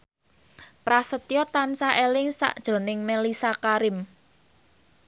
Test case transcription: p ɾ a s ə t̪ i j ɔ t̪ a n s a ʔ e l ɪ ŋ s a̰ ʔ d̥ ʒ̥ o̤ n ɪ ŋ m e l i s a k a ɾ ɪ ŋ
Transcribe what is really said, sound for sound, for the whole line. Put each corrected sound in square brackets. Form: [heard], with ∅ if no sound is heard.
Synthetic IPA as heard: p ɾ a s ə t̪ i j ɔ t̪ a n s a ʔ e l ɪ ŋ s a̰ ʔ d̥ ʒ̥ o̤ n ɪ ŋ m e l i s a k a ɾ ɪ [m]